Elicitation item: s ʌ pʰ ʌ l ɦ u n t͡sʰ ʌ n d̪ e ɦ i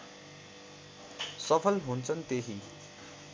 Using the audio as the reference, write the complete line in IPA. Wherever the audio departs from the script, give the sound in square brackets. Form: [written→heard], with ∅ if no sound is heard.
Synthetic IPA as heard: s ʌ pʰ ʌ l ɦ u n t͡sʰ ʌ n [d̪→t̪] e ɦ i